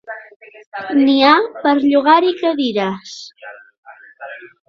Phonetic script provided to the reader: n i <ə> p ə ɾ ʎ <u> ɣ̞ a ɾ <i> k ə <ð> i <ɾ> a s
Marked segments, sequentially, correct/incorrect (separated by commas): incorrect, correct, correct, correct, correct